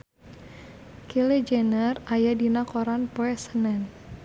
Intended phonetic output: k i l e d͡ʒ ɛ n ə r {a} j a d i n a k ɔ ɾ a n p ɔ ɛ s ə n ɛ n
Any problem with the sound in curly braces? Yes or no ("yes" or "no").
no